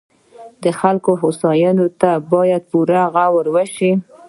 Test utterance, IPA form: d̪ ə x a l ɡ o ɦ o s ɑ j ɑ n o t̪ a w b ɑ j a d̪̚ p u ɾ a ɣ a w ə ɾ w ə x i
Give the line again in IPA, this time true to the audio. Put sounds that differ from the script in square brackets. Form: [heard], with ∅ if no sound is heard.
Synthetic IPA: d̪ ə x a l [k] o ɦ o s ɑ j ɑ n o t̪ a [∅] b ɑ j a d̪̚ p u ɾ a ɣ a w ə ɾ w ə [ʃ] i